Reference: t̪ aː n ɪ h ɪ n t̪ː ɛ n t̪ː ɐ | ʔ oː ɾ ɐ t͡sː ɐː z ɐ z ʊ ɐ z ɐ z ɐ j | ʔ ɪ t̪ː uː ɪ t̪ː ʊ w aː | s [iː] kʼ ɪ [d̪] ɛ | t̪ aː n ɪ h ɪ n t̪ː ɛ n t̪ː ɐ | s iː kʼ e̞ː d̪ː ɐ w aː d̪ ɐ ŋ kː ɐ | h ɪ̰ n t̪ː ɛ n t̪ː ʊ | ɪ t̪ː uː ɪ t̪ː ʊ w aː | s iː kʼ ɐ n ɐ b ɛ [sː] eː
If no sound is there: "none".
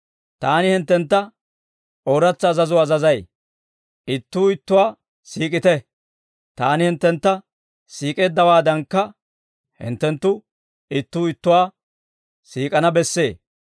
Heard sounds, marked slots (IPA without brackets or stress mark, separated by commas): iː, t̪, sː